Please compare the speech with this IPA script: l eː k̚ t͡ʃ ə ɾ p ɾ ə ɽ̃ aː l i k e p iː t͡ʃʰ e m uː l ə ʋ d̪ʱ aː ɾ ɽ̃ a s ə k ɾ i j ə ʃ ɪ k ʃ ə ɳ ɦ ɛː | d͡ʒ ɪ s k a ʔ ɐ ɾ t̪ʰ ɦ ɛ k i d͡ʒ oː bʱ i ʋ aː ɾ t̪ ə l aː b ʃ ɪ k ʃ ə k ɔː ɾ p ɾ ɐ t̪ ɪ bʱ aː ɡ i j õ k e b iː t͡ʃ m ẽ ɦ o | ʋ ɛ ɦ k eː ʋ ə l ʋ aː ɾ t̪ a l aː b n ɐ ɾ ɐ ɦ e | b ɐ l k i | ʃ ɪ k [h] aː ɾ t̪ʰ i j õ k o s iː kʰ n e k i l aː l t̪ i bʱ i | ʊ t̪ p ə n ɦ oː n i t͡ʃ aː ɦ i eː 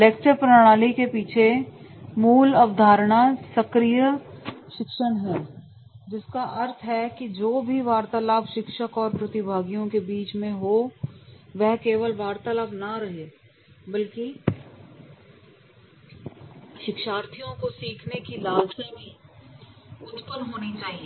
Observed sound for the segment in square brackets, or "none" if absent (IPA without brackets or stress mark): ʃ